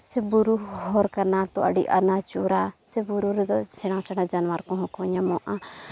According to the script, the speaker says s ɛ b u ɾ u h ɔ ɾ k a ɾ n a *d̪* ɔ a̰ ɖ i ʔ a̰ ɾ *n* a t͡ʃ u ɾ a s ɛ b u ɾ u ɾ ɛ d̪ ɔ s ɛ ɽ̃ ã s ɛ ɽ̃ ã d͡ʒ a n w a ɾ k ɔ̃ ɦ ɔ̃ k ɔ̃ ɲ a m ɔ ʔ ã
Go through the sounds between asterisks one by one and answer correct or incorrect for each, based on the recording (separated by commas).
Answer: incorrect, correct